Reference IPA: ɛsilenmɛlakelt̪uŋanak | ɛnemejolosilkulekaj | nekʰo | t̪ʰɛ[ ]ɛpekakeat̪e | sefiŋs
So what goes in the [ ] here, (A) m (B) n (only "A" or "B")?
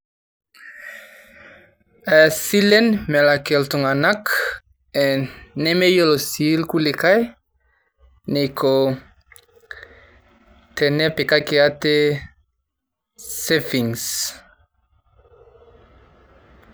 B